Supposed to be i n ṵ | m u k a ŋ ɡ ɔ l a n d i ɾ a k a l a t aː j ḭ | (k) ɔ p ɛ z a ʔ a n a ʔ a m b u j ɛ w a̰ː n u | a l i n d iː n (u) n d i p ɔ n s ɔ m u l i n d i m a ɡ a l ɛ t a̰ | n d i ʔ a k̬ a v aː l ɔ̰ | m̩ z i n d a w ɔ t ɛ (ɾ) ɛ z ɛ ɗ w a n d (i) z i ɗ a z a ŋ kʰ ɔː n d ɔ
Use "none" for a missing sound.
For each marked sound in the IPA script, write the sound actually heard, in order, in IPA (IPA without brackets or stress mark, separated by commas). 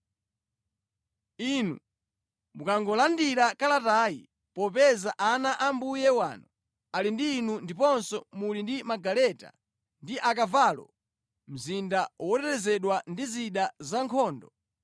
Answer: p, u, ɾ, i